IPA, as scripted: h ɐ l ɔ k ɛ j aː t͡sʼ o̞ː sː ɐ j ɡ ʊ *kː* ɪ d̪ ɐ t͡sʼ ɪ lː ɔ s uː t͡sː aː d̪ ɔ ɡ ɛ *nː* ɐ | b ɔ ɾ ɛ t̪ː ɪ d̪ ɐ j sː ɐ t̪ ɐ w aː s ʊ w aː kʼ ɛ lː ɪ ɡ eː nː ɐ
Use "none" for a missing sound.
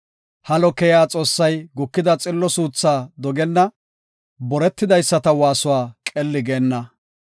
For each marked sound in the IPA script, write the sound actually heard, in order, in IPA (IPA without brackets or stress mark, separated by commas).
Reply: kː, nː